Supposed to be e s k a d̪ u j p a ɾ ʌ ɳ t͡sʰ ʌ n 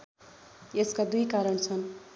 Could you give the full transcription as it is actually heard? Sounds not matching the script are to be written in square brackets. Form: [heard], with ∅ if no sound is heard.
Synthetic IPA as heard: e s k a d̪ u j [k] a ɾ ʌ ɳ t͡sʰ ʌ n

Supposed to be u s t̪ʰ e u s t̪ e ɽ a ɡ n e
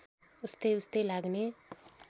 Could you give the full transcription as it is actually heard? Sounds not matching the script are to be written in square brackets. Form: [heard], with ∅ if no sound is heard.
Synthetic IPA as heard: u s [t̪] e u s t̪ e [l] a ɡ n e

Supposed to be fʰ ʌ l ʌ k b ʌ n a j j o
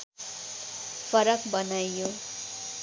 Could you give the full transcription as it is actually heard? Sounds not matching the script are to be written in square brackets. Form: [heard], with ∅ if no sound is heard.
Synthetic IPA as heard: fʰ ʌ [ɾ] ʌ k b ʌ n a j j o

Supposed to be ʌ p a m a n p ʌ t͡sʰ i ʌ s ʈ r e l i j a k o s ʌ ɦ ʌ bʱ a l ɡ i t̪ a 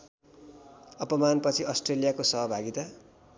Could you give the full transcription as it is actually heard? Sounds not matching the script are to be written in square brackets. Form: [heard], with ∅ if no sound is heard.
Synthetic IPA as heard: ʌ p [ʌ] m a n p ʌ t͡sʰ i ʌ s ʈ r e l i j a k o s ʌ ɦ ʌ bʱ a [∅] ɡ i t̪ a

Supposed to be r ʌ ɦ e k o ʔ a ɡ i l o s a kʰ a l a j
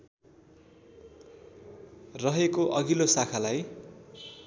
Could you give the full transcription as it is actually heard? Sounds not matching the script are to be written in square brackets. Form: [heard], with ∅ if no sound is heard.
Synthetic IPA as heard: r ʌ ɦ e k o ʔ [ʌ] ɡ i l o s a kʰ a l a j

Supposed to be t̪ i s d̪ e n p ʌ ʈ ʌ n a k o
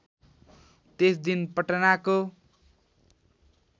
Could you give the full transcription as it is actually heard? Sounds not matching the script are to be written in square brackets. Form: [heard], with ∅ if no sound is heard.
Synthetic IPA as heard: t̪ [e] s d̪ [i] n p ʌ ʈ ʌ n a k o

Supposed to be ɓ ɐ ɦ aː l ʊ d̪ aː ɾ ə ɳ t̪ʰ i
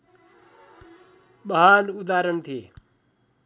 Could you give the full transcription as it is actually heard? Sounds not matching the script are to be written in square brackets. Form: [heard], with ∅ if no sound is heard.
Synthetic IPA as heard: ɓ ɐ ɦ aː l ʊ d̪ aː ɾ ə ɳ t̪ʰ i

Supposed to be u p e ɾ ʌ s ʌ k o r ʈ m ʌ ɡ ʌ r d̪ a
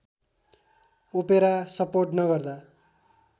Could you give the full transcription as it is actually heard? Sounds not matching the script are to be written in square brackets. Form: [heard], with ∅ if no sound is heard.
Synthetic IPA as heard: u p e ɾ [a] s ʌ [p] o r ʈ [n] ʌ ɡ ʌ r d̪ a

